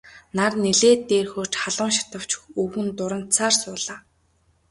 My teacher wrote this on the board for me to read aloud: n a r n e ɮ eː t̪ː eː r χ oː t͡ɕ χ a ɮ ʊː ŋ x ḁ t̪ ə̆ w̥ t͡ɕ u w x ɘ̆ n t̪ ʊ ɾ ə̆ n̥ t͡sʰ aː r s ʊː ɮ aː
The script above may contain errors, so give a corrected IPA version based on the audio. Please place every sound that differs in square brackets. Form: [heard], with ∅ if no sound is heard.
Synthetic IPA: n a r n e ɮ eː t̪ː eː r [x] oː t͡ɕ χ a ɮ ʊː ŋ [ʃ] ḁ t̪ ə̆ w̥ t͡ɕ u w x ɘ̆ n t̪ ʊ ɾ ə̆ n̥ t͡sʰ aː r s ʊː ɮ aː